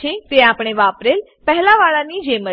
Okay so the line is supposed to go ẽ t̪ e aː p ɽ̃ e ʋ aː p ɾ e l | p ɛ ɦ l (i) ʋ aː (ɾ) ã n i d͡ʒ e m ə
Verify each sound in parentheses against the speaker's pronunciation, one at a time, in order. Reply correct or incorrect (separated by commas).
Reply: incorrect, incorrect